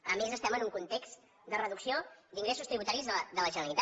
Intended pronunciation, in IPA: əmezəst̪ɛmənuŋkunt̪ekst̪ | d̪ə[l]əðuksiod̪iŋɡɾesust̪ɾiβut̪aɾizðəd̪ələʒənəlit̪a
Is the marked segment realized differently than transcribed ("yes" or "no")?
yes